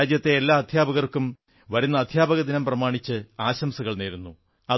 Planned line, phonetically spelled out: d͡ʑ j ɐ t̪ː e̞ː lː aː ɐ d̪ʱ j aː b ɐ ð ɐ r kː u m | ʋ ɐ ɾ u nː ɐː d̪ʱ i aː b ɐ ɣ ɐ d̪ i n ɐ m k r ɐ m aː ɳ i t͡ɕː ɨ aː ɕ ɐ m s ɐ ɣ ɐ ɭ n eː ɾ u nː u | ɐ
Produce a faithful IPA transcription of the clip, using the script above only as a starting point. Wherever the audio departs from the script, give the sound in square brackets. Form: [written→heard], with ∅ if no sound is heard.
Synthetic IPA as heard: d͡ʑ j ɐ t̪ː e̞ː lː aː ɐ d̪ʱ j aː b ɐ [ð→ɣ] ɐ r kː u m | ʋ ɐ ɾ u nː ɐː d̪ʱ [i→j] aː b ɐ ɣ ɐ d̪ i n ɐ m [k→p] r ɐ m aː ɳ i t͡ɕː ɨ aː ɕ ɐ m s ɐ ɣ ɐ ɭ n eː ɾ u nː u | ɐ